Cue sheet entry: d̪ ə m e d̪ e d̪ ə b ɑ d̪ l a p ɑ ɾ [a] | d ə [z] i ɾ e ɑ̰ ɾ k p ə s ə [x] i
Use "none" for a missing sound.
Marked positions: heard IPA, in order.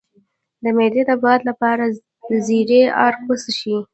a, z, ʃ

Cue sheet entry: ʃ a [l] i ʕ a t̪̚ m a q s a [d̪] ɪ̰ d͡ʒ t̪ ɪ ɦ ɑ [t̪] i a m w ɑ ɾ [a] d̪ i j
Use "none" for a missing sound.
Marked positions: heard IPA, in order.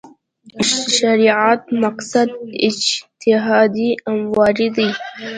ɾ, d̪, d̪, i

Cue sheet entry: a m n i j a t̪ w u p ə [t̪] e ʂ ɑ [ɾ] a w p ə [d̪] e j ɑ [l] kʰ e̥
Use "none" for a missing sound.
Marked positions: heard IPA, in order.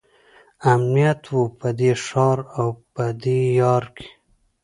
d̪, ɾ, d̪, ɾ

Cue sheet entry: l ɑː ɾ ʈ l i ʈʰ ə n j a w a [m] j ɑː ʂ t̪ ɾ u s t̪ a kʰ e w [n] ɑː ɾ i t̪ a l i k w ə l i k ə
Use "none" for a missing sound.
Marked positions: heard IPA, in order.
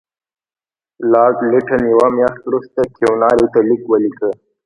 m, n

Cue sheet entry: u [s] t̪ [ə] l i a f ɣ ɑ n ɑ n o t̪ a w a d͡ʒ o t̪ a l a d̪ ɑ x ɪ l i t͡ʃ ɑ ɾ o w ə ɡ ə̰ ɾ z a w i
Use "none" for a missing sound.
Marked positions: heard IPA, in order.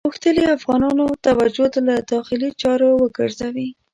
x, ə

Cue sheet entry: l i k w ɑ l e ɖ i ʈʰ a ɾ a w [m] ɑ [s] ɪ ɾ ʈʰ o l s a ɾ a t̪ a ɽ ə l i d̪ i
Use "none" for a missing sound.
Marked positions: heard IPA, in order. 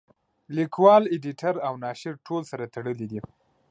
n, ʃ

